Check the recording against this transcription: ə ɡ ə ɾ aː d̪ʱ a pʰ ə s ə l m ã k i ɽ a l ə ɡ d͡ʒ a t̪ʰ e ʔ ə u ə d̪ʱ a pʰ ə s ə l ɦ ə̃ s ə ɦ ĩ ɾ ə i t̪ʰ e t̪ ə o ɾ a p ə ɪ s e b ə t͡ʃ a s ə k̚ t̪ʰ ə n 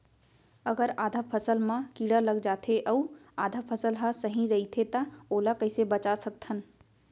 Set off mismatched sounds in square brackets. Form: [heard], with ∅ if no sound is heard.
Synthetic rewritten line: ə ɡ ə ɾ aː d̪ʱ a pʰ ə s ə l m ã k i ɽ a l ə ɡ d͡ʒ a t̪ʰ e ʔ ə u [a] d̪ʱ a pʰ ə s ə l ɦ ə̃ s ə ɦ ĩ ɾ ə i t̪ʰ e t̪ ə o [l] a [k] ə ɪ s e b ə t͡ʃ a s ə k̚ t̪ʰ ə n